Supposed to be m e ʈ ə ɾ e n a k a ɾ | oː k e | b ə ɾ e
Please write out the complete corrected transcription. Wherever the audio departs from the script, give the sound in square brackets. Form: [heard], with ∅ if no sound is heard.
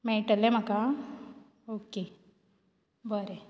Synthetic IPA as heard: m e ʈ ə [l] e [m] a k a [∅] | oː k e | b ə ɾ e